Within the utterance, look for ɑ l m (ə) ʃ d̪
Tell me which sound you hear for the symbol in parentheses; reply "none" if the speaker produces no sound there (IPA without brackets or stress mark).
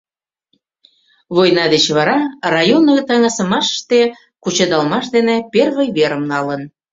ɑ